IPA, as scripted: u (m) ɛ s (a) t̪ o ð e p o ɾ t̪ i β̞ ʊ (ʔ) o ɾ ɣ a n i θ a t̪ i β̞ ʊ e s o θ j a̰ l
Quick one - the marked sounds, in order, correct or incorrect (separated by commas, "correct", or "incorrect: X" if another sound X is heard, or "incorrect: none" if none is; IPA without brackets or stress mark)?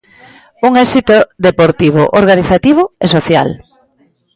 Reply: incorrect: ŋ, incorrect: i, correct